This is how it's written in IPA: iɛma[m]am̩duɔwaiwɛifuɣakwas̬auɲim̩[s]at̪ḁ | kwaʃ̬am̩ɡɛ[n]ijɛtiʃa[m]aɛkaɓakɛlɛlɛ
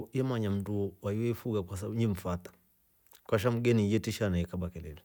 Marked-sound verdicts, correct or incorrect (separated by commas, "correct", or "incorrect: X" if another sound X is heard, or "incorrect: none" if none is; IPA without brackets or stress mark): incorrect: ɲ, incorrect: f, correct, incorrect: n